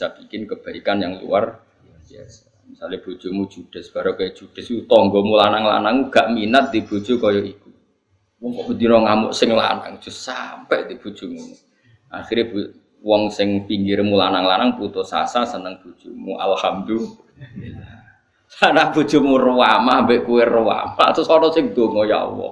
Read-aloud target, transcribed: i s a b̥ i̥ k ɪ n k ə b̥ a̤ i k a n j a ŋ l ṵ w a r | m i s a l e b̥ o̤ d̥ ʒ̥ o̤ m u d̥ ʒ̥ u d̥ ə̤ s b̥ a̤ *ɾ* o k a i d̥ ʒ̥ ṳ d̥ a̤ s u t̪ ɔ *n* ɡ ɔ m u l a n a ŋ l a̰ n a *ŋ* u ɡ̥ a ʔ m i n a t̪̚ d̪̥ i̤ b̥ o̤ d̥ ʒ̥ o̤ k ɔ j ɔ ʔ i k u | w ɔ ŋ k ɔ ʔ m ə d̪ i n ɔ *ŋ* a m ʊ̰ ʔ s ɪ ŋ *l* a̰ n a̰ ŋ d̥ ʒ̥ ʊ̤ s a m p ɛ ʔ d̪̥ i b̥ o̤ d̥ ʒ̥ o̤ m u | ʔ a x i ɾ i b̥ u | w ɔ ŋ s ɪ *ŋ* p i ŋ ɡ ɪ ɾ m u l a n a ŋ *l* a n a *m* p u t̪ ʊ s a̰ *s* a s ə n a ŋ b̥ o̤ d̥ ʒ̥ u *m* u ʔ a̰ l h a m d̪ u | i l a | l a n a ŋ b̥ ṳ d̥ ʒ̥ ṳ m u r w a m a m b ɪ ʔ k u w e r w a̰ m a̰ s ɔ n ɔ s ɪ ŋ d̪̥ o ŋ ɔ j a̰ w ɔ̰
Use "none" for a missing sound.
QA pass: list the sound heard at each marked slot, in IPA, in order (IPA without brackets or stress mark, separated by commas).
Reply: ɾ, ŋ, ŋ, ŋ, l, ŋ, l, ŋ, s, m